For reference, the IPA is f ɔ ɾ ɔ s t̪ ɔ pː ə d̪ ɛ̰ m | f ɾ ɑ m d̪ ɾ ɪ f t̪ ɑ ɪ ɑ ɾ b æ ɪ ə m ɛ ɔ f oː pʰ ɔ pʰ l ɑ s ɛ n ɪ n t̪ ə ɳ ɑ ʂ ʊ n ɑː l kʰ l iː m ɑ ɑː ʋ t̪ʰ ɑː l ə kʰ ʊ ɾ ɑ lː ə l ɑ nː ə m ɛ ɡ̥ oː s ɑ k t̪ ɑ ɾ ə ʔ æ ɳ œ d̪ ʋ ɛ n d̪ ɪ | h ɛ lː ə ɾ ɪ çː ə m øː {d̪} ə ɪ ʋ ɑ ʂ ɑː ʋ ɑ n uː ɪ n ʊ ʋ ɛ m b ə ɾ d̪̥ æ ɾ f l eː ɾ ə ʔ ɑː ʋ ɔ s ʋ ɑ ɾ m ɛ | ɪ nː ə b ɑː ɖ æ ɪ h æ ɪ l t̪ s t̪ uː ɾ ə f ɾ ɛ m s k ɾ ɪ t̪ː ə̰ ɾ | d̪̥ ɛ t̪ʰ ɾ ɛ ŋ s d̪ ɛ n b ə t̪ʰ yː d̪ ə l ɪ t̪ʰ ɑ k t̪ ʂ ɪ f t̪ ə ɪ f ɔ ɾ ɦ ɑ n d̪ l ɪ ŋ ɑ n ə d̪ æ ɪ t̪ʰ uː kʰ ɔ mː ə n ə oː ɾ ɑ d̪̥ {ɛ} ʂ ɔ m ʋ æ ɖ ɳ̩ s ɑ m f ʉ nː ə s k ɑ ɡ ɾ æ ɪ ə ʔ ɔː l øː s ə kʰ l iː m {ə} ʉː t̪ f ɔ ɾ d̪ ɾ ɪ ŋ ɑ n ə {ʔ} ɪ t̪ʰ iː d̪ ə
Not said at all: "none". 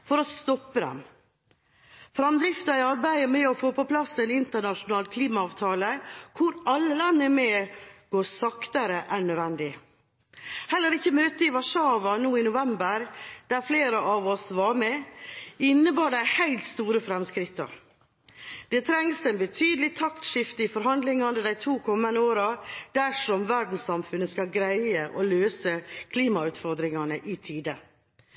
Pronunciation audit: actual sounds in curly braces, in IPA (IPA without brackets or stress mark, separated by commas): t̪, æ, ɑ, ʔ